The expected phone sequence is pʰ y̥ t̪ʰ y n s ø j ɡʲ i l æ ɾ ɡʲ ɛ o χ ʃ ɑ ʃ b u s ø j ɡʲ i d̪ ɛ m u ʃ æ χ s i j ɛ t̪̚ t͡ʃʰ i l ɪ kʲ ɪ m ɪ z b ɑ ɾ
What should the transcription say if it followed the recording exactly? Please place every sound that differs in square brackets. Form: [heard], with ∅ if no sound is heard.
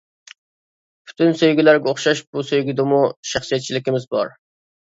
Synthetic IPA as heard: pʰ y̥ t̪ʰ y n s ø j ɡʲ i l æ ɾ ɡʲ ɛ o χ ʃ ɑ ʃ b u s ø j ɡʲ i d̪ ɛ m u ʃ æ χ s i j ɛ t̪̚ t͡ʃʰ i l ɪ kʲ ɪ m ɪ z b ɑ ɾ